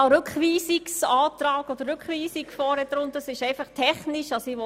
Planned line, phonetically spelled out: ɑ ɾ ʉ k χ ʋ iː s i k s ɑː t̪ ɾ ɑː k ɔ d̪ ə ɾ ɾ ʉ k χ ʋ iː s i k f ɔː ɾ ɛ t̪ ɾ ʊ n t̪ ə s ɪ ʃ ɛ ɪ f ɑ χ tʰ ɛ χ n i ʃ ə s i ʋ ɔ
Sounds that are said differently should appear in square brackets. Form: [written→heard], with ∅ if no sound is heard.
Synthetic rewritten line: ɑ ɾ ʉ k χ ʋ iː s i k s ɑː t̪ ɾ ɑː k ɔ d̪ ə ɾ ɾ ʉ k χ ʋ iː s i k f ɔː ɾ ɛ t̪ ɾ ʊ n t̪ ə s ɪ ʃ ɛ ɪ f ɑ χ tʰ ɛ χ n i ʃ [ə→ɑ] s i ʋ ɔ